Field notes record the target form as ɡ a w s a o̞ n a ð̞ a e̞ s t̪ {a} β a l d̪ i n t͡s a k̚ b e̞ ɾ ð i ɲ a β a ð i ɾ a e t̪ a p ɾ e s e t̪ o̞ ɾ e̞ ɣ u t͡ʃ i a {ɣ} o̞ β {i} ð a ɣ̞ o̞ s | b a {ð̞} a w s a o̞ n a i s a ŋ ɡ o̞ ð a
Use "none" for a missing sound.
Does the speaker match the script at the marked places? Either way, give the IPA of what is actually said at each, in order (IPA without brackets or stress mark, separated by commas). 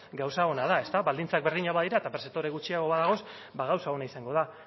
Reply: a, ɣ, a, ɣ̞